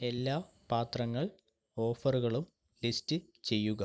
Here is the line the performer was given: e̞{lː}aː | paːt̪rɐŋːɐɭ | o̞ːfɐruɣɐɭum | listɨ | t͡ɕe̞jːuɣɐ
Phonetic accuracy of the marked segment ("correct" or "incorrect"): correct